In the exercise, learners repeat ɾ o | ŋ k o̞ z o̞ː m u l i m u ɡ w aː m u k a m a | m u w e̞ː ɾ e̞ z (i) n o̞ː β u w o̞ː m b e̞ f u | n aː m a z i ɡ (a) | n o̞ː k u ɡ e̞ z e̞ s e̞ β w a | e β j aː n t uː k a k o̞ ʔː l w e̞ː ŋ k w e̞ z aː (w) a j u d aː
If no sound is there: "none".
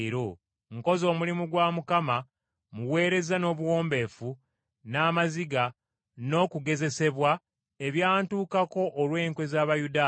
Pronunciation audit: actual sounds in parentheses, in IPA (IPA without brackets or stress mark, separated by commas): a, a, β